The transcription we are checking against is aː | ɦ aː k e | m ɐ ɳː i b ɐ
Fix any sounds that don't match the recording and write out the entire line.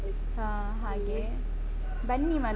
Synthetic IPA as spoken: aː | ɦ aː ɡ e | b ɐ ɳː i m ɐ